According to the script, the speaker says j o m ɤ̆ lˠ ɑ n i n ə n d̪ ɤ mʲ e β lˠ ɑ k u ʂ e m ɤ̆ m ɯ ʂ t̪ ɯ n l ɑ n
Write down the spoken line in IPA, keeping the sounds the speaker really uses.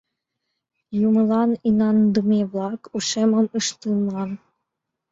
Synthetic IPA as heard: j u m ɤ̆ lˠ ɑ n i n ɑ n d̪ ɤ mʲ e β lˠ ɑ k u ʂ e m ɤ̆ m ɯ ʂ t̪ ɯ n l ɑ n